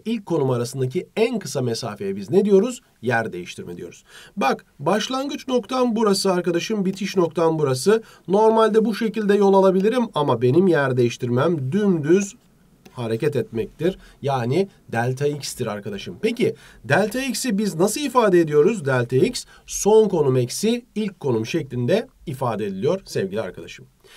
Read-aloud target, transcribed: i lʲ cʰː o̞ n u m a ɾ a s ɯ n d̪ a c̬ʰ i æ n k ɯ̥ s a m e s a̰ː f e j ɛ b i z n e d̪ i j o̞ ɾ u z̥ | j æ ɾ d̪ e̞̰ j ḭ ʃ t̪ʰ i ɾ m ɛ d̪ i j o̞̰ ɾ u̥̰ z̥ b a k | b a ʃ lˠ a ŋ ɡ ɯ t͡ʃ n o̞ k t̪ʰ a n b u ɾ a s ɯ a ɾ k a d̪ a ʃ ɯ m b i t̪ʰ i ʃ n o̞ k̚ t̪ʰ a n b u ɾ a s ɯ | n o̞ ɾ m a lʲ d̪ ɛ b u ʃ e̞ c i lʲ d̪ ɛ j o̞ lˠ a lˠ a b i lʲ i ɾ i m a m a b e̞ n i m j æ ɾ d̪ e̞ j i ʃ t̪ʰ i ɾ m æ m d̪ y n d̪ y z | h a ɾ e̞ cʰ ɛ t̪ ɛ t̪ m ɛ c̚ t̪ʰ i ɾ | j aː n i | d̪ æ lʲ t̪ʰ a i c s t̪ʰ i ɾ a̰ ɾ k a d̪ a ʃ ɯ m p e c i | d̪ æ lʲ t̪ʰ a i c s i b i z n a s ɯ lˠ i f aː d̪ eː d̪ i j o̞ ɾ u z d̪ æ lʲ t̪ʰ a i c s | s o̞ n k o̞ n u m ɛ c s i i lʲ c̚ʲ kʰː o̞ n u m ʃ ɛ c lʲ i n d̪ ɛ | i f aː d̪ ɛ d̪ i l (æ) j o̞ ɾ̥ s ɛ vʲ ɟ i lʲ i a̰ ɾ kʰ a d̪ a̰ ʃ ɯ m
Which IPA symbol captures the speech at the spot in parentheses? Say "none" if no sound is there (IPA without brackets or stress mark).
i